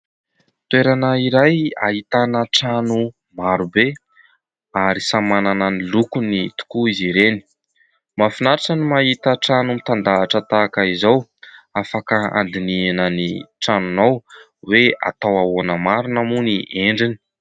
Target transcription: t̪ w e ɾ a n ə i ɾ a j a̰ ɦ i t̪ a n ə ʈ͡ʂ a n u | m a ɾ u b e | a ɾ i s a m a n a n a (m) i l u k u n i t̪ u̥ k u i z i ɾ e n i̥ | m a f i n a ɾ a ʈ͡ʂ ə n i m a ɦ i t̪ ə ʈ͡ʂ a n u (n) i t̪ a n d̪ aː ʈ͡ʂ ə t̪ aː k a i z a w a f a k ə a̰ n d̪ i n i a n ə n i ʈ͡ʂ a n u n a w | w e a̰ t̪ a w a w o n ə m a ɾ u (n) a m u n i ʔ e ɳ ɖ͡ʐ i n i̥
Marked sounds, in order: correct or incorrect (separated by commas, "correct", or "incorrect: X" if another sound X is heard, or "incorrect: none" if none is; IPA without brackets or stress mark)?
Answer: incorrect: n, incorrect: m, correct